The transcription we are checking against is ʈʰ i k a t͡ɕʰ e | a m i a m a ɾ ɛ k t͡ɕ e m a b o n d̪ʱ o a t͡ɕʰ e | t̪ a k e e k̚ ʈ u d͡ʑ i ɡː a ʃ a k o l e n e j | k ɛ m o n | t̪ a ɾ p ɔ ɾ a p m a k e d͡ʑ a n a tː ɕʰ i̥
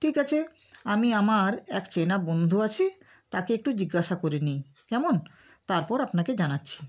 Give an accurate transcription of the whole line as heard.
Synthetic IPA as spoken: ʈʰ i k a t͡ɕʰ e | a m i a m a ɾ ɛ k t͡ɕ e n a b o n d̪ʱ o a t͡ɕʰ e | t̪ a k e e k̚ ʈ u d͡ʑ i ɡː a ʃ a k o ɾ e n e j | k ɛ m o n | t̪ a ɾ p ɔ ɾ a p n a k e d͡ʑ a n a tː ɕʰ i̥